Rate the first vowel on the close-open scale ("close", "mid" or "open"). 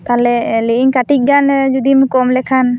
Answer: open